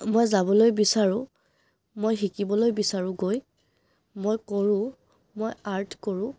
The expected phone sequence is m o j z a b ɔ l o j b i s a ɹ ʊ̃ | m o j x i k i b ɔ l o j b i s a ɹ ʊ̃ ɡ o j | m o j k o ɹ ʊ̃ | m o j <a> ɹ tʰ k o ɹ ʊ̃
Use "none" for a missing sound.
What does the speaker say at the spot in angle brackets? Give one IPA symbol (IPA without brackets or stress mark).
a